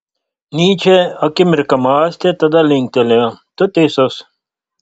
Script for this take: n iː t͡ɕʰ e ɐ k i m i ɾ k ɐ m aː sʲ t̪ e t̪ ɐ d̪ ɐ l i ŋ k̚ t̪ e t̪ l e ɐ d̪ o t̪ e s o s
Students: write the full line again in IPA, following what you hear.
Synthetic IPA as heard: n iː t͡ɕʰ e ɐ k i m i ɾ k ɐ m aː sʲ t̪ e t̪ ɐ d̪ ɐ l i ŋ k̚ t̪ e l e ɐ t̪ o t̪ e s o s